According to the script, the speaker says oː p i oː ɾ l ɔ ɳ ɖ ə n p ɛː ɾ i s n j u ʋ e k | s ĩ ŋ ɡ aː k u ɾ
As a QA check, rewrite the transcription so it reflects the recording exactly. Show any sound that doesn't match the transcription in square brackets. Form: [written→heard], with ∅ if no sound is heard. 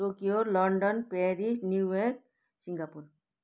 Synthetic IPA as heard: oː [p→k] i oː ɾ l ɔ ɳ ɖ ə n p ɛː ɾ i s n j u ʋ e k | s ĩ ŋ ɡ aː [k→p] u ɾ